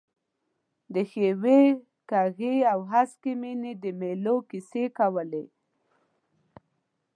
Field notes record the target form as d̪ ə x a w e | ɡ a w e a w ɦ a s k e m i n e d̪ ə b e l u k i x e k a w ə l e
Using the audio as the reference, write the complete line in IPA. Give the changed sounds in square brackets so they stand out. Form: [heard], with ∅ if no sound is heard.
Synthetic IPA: d̪ ə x [e] w e | [k] a [ɣ] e a w ɦ a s k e m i n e d̪ ə [m] e l [o] k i [s] e k a w ə l e